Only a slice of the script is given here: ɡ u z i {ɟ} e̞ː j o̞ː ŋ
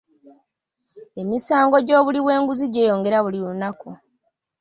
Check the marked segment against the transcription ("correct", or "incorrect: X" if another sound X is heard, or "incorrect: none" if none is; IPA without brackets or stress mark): correct